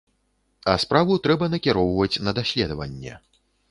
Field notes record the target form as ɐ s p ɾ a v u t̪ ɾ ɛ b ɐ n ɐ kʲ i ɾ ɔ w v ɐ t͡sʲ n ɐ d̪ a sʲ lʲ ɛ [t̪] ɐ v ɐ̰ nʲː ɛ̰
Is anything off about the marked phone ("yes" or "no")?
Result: yes